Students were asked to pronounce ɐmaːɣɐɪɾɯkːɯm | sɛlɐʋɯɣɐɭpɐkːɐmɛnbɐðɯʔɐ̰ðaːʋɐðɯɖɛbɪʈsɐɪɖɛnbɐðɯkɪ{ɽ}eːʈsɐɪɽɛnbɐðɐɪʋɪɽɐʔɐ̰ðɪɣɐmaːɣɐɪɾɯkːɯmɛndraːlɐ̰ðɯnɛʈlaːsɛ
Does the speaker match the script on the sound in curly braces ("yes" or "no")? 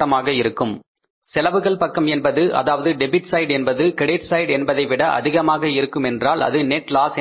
yes